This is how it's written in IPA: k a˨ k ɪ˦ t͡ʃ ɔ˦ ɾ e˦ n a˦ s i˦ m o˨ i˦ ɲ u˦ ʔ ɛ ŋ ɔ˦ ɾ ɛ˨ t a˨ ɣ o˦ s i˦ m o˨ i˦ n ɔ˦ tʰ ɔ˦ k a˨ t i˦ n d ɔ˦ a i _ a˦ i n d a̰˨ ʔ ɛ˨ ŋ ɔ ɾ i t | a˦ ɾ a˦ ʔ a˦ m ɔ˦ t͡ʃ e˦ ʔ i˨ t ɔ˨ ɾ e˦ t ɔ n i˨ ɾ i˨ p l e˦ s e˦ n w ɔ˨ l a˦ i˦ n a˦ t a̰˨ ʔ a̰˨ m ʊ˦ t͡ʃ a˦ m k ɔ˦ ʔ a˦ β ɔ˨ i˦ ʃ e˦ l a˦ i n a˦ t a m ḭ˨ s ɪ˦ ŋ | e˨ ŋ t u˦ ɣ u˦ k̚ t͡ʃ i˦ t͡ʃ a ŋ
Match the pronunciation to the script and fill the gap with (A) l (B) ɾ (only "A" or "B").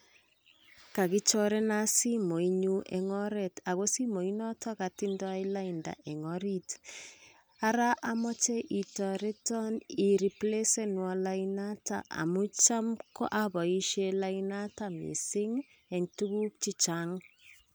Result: A